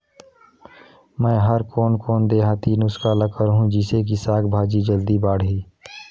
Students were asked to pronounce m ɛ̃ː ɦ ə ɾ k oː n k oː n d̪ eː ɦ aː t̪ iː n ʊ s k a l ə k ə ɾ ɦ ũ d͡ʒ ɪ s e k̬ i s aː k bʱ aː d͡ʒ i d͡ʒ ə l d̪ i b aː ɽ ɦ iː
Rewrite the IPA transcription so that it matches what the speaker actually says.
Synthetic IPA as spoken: m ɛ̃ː ɦ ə ɾ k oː n k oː n d̪ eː ɦ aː t̪ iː n ʊ s k a l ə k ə ɾ ɦ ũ d͡ʒ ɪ s e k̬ i s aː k bʱ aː d͡ʒ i d͡ʒ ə l d̪ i b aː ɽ ɦ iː